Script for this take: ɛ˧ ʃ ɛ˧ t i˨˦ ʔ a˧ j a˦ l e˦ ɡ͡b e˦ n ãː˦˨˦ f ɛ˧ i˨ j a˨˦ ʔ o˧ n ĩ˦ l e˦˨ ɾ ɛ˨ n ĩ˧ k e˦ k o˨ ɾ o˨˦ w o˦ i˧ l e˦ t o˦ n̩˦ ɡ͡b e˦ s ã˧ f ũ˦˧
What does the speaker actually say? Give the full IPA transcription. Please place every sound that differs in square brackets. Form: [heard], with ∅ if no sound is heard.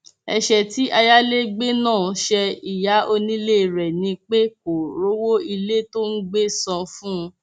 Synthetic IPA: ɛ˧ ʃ ɛ˧ t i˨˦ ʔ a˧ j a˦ l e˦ ɡ͡b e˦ n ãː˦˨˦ [ʃ] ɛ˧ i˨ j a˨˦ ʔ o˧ n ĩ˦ l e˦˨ ɾ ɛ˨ n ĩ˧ [k͡p] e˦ k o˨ ɾ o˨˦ w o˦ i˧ l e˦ t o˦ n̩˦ ɡ͡b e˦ s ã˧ f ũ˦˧